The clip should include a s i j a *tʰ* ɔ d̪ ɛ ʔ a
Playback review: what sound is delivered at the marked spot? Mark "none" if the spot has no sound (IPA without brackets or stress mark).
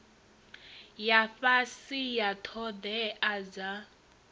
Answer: tʰ